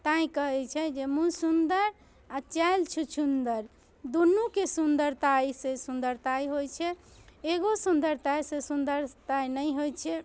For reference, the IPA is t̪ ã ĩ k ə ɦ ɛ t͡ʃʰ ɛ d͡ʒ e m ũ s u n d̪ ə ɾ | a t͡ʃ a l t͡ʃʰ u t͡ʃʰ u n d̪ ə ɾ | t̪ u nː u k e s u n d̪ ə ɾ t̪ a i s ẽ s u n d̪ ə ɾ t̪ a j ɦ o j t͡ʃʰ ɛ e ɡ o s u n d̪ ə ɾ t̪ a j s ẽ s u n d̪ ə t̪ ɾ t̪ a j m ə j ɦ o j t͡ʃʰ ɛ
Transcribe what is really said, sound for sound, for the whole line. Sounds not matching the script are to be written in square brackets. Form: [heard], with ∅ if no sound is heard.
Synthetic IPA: t̪ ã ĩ k ə ɦ ɛ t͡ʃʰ ɛ d͡ʒ e m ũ s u n d̪ ə ɾ | a t͡ʃ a l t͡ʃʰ u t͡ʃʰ u n d̪ ə ɾ | [d̪] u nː u k e s u n d̪ ə ɾ t̪ a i s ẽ s u n d̪ ə ɾ t̪ a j ɦ o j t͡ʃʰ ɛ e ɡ o s u n d̪ ə ɾ t̪ a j s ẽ s u n d̪ ə [∅] ɾ t̪ a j [n] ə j ɦ o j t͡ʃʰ ɛ